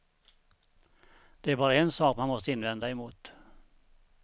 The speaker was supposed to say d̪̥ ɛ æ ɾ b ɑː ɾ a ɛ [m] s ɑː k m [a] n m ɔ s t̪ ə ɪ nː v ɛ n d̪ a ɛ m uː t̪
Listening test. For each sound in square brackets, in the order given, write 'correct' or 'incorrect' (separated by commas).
incorrect, correct